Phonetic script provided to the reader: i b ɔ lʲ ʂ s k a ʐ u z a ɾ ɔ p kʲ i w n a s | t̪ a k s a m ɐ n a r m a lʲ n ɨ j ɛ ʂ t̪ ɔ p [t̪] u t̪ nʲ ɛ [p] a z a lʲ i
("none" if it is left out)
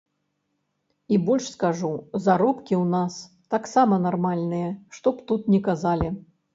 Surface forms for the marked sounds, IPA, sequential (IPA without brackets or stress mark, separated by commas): t̪, k